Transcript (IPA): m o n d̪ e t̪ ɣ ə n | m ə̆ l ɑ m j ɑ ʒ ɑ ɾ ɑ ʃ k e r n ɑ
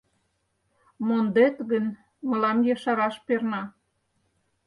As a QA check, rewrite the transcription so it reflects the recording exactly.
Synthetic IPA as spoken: m o n d̪ e t̪ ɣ ə n | m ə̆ l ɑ m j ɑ ʃ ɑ ɾ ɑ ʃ p e r n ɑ